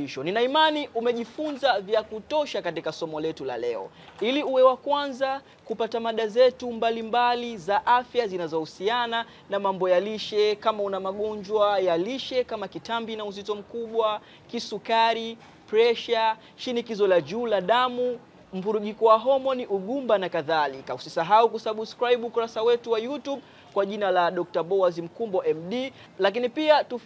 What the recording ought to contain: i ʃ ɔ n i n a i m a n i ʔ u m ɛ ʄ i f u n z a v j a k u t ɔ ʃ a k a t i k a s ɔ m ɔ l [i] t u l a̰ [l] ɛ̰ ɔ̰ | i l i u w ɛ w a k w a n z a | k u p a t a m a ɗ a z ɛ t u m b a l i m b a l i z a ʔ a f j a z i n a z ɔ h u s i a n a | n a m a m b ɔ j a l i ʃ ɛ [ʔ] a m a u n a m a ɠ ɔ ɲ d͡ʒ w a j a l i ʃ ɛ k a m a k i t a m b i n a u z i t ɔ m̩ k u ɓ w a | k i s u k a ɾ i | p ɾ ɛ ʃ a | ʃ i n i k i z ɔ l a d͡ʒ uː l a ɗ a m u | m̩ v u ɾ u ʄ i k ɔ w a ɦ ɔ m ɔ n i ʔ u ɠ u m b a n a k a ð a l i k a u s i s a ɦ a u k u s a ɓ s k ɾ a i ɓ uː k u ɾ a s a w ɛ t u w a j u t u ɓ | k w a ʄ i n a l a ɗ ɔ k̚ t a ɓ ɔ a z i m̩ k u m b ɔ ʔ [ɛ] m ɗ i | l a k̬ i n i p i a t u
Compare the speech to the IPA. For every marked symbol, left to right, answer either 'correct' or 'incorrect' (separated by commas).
incorrect, correct, incorrect, correct